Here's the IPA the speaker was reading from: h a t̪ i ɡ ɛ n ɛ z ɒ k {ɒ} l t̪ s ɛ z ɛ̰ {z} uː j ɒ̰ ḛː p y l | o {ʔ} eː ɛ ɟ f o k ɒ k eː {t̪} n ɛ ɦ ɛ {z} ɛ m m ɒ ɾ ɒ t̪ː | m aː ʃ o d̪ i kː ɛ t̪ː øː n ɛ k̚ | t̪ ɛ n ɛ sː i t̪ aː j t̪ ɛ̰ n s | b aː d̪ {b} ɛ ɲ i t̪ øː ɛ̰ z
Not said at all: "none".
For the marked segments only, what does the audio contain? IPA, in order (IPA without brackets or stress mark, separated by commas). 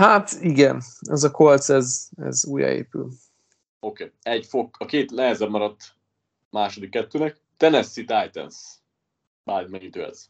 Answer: o, z, k, t̪, z, m